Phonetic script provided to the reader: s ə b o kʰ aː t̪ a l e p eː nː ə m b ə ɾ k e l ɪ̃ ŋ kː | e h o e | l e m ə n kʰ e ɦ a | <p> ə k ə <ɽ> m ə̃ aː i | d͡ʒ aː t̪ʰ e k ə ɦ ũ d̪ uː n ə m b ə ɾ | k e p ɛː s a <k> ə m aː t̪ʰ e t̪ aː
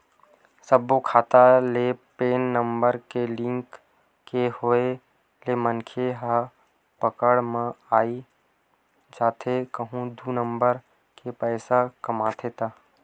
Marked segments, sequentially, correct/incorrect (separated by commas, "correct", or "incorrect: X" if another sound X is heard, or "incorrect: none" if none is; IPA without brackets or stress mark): correct, correct, correct